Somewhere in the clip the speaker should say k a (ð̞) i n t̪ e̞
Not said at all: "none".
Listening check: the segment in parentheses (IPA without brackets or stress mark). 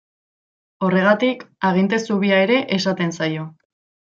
ɣ̞